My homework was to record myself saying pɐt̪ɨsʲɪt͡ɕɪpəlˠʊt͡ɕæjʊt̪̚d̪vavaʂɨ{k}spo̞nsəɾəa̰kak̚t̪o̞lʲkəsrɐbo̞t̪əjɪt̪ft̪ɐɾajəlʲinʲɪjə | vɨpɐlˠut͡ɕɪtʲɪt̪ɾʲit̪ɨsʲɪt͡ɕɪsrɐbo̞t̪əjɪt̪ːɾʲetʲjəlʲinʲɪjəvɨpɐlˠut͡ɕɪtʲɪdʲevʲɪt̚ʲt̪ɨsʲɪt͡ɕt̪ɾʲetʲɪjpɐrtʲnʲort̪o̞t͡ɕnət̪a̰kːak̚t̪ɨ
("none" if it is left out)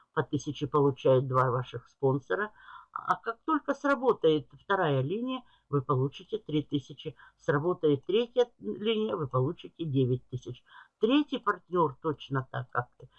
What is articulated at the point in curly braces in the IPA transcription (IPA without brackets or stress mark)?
x